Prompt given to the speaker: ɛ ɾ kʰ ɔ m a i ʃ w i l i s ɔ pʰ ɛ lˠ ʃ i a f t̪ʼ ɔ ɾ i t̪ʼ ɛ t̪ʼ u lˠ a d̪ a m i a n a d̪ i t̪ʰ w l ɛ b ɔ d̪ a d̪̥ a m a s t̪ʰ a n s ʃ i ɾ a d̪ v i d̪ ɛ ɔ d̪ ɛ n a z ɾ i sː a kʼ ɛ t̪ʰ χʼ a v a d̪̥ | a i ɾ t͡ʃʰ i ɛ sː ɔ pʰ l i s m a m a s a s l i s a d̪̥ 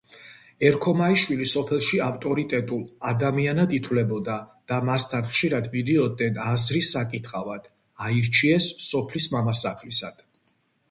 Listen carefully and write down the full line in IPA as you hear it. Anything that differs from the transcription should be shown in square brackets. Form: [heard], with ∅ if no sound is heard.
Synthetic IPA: ɛ ɾ kʰ ɔ m a i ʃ w i l i s ɔ pʰ ɛ lˠ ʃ i a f t̪ʼ ɔ ɾ i t̪ʼ ɛ t̪ʼ u lˠ a d̪ a m i a n a d̪ i t̪ʰ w l ɛ b ɔ d̪ a d̪̥ a m a s t̪ʰ a n [χ] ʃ i ɾ a d̪ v i d̪ ɛ ɔ d̪ ɛ n a z ɾ i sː a kʼ [i] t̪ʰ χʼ a v a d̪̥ | a i ɾ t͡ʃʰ i ɛ sː ɔ pʰ l i s m a m a s a [χ] l i s a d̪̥